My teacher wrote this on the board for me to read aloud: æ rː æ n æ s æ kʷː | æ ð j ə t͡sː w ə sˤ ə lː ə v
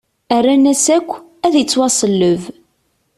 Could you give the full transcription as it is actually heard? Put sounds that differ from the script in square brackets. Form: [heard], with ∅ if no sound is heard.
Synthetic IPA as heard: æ rː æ n æ s æ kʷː | æ ð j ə t͡sː w [ɑ] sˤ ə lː ə v